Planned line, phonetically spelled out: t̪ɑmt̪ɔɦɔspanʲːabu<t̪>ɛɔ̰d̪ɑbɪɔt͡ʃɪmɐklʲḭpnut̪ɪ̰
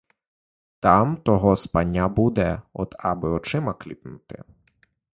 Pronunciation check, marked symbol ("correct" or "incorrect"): incorrect